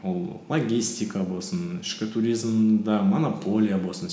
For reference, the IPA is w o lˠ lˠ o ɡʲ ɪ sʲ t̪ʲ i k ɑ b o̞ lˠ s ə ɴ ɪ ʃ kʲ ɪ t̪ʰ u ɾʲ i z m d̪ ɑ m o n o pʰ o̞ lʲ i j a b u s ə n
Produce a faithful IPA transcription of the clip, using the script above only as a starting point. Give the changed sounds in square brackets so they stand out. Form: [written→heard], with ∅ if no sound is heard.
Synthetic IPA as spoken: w o lˠ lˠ o ɡʲ [ɪ→i] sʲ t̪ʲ i k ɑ b o̞ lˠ s ə [ɴ→n] ɪ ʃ kʲ ɪ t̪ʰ u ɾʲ i z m d̪ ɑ m o n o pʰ o̞ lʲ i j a b [u→o] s ə n